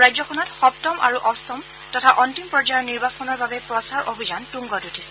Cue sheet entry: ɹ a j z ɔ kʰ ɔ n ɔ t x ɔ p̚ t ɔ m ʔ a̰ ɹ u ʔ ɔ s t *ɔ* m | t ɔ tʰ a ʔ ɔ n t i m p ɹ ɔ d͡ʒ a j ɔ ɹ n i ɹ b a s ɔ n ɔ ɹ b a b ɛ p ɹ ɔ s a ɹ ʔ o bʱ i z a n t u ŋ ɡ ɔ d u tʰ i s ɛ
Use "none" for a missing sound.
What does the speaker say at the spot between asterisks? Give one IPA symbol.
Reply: ɔ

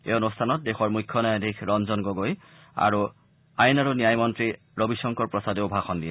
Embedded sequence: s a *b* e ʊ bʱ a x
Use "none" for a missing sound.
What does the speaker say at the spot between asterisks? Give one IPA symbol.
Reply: d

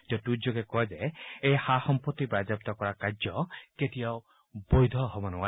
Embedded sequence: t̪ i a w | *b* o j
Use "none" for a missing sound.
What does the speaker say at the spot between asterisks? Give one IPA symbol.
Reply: b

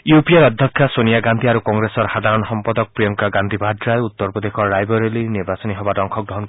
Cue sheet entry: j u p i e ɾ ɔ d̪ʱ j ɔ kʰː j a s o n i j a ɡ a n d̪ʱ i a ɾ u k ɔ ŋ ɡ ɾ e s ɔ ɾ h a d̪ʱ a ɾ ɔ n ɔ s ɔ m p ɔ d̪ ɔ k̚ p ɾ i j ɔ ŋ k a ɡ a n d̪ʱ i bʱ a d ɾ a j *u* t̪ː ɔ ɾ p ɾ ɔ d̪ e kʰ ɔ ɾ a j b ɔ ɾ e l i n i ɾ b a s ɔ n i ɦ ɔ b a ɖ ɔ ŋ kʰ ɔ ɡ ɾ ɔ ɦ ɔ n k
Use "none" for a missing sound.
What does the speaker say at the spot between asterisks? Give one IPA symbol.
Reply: u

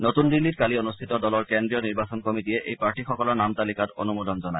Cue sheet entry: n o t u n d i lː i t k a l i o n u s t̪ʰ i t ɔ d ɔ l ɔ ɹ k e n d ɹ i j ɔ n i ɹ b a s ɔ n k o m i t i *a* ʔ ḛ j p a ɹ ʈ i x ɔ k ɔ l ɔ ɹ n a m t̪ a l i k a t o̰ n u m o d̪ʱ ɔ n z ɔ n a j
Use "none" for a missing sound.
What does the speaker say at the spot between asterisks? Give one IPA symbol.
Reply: ɛ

